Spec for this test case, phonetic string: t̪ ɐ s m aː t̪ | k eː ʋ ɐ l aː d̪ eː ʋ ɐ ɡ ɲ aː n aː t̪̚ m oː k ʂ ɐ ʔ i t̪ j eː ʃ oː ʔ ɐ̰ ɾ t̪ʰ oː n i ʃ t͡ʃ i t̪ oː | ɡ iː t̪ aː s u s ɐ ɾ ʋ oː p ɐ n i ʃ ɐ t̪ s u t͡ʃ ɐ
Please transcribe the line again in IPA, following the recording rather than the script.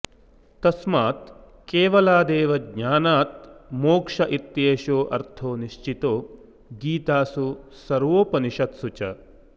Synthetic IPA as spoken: t̪ ɐ s m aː t̪ | k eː ʋ ɐ l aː d̪ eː ʋ ɐ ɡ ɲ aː n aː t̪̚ m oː k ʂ ɐ ʔ i t̪ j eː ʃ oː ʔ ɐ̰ ɾ t̪ʰ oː n i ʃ t͡ʃ i t̪ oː | ɡ iː t̪ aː s u s ɐ ɾ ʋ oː p ɐ n i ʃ ɐ t̪ s u t͡ʃ ɐ